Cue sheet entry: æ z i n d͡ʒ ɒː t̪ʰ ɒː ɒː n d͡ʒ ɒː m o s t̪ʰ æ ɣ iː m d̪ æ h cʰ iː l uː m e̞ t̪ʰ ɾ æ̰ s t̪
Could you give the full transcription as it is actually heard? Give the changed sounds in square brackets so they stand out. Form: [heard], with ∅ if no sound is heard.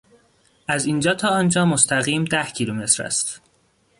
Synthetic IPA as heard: æ z i n d͡ʒ ɒː t̪ʰ ɒː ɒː n d͡ʒ ɒː m o s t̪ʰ æ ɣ iː m d̪ æ h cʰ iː l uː m e̞ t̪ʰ ɾ æ̰ s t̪